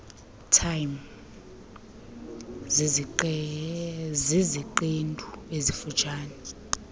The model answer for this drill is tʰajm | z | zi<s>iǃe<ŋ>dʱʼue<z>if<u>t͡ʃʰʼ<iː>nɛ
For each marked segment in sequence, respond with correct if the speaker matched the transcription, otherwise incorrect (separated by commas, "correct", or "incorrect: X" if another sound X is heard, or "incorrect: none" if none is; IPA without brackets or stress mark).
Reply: incorrect: z, incorrect: n, correct, correct, incorrect: aː